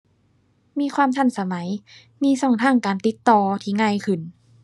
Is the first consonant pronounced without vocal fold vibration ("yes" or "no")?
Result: no